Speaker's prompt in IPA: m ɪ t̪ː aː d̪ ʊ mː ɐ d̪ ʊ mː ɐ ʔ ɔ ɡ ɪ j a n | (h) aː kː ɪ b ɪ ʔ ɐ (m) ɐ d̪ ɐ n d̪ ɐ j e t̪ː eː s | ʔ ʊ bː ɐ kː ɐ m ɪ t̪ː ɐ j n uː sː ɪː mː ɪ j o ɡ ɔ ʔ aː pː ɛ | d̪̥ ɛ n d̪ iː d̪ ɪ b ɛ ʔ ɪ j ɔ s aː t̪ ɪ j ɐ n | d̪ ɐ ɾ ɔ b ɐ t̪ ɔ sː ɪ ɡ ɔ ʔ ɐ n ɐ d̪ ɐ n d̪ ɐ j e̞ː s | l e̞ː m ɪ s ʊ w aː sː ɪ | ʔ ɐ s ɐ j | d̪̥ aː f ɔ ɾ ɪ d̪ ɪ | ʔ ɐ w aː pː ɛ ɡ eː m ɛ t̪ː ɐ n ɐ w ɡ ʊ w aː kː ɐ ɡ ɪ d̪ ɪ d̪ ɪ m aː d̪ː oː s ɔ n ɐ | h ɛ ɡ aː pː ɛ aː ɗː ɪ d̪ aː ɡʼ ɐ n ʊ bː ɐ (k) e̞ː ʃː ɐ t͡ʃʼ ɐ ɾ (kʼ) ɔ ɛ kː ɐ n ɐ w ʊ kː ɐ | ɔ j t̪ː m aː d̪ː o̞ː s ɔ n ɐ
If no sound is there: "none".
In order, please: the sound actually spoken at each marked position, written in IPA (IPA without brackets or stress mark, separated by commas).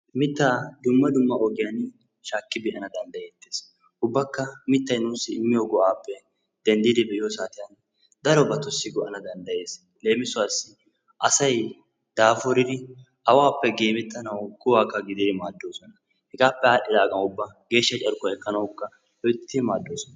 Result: ʃ, n, ɡ, k